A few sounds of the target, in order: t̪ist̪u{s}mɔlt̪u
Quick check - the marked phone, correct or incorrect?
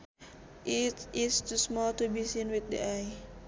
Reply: correct